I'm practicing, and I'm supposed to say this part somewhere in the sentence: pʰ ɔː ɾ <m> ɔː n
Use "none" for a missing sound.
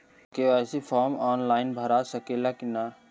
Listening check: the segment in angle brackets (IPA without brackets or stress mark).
m